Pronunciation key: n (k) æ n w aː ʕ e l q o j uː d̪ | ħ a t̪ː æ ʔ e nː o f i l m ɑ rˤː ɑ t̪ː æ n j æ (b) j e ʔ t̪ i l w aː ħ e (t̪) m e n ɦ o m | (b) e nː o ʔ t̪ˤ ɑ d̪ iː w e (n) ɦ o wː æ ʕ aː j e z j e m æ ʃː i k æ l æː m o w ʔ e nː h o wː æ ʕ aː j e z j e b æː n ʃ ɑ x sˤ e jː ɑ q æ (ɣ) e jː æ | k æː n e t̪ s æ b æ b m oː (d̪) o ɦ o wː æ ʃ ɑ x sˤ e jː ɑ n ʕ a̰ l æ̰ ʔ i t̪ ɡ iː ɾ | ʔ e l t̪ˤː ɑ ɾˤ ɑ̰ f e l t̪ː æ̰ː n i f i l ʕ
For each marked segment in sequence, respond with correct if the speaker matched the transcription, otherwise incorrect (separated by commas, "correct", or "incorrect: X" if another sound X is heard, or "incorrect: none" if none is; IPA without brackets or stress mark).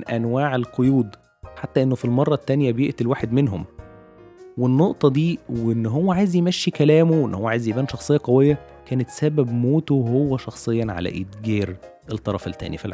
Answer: incorrect: ʔ, correct, incorrect: d̪, incorrect: w, incorrect: nː, incorrect: w, incorrect: t̪